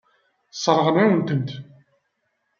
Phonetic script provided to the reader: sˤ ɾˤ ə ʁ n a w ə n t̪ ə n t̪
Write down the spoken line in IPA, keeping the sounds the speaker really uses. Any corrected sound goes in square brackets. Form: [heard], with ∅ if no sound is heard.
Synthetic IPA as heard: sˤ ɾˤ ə ʁ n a w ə n t̪ ə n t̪